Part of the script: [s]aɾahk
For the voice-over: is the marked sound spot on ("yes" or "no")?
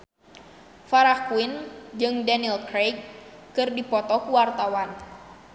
no